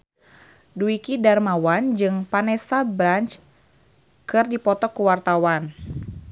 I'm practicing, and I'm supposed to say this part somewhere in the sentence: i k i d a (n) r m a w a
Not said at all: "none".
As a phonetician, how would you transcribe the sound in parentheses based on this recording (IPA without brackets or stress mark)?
none